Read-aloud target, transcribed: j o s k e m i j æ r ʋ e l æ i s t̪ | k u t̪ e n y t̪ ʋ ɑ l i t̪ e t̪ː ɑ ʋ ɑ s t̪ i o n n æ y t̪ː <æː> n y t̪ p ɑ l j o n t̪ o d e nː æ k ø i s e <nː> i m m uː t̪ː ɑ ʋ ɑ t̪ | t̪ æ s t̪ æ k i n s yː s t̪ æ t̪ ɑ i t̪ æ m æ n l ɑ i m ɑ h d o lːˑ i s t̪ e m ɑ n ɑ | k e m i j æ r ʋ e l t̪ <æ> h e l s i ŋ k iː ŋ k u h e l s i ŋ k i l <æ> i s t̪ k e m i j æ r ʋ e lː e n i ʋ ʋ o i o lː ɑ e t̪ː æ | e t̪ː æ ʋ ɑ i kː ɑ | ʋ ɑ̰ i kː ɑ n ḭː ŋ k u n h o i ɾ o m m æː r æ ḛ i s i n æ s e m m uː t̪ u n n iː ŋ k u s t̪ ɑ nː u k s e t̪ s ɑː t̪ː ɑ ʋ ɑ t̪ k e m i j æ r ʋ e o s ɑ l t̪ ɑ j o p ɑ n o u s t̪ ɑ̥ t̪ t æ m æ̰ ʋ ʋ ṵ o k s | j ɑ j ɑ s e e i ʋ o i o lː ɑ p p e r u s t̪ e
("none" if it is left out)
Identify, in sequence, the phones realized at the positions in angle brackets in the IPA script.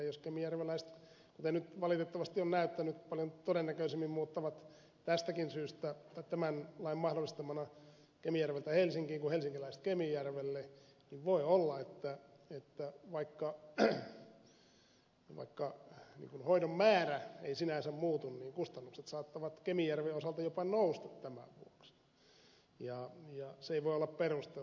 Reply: æ, mː, æ, æ

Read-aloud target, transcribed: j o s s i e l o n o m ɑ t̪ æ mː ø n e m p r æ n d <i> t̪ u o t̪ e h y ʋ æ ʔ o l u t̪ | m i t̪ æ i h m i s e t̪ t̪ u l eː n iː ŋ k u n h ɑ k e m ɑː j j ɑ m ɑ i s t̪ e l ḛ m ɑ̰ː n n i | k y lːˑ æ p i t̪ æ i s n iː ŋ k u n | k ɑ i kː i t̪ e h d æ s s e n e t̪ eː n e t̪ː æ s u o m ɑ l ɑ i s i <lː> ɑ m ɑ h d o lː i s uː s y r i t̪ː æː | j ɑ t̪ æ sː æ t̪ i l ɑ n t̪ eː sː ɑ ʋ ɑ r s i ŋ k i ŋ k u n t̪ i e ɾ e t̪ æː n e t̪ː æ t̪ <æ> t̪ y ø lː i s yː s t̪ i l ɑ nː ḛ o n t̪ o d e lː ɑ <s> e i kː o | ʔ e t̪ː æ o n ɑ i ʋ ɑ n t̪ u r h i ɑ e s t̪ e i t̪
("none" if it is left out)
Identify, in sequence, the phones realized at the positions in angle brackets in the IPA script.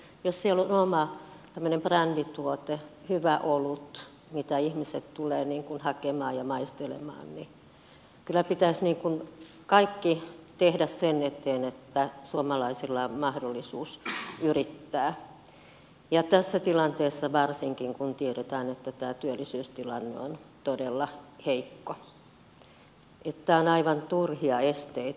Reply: i, lː, æː, h

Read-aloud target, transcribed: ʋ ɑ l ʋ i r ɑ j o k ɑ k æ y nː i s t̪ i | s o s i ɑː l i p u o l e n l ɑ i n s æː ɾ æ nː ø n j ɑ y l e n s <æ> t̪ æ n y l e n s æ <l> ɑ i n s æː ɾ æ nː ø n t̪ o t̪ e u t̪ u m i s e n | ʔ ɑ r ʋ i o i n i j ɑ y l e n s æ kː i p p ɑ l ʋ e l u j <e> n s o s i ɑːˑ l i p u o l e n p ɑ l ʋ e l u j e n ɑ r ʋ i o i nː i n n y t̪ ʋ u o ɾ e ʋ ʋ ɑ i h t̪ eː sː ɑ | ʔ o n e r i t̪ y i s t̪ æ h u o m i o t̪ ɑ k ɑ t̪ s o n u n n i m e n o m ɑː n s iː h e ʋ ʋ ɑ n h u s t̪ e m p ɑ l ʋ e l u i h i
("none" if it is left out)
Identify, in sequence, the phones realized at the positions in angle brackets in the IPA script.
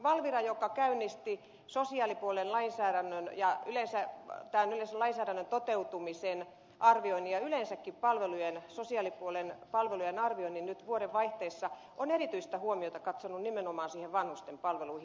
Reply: æ, l, e

